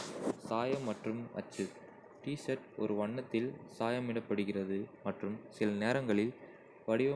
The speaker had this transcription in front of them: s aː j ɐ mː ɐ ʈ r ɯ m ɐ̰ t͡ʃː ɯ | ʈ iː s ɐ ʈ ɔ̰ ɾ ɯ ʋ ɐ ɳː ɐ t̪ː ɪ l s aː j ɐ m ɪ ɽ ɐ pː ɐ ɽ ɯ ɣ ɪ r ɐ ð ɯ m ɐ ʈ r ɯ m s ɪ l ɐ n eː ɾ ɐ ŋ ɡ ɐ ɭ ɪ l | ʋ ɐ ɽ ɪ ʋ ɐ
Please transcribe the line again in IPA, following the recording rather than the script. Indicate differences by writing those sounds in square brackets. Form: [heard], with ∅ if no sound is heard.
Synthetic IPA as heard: s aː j ɐ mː ɐ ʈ r ɯ m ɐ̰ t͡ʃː ɯ | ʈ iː s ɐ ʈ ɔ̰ ɾ ɯ ʋ ɐ ɳː ɐ t̪ː ɪ l s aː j ɐ m ɪ ɽ ɐ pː ɐ ɽ ɯ ɣ ɪ r ɐ ð ɯ m ɐ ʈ r ɯ m s ɪ l ɐ n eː ɾ ɐ ŋ ɡ ɐ ɭ ɪ l | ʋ ɐ ɽ ɪ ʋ ɐ